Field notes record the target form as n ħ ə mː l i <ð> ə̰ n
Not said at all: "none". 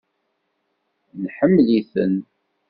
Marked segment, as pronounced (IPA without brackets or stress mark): θ